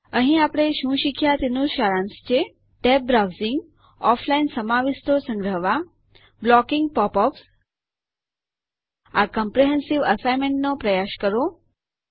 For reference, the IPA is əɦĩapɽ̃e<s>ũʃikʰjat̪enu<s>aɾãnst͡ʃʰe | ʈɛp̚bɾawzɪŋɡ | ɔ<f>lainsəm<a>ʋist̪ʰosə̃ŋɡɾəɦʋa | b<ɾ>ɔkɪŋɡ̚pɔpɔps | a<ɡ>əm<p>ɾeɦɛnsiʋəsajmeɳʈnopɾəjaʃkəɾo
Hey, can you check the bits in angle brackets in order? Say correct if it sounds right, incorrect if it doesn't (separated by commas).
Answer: incorrect, incorrect, correct, correct, incorrect, incorrect, correct